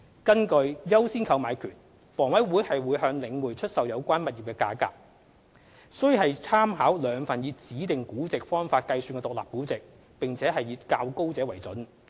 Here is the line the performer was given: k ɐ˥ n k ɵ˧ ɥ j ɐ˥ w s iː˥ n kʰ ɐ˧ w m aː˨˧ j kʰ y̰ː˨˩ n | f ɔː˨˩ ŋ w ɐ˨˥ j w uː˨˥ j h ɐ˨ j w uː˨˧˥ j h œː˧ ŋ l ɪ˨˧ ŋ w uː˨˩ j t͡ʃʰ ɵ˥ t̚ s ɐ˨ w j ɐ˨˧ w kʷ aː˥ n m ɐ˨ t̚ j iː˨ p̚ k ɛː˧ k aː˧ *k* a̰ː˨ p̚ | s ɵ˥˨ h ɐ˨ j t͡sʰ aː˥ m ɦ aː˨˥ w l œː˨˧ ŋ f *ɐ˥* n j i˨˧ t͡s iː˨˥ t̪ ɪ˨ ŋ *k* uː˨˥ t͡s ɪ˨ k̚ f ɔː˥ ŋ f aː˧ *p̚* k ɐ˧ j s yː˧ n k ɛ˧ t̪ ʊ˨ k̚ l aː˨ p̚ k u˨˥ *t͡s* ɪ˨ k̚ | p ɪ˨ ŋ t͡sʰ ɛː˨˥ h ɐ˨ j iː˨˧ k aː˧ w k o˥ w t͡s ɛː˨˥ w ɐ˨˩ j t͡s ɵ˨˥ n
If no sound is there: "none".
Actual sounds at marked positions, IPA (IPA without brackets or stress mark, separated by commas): k, ɐ˨˩, k, t̚, t͡s